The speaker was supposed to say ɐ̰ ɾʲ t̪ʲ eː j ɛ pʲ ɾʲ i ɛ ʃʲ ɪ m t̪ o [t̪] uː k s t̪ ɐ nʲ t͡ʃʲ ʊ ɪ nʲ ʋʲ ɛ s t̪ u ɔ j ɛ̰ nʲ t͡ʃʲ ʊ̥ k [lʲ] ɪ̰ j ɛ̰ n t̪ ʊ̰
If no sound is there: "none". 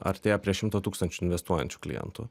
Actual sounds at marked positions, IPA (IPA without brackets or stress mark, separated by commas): t̪, lʲ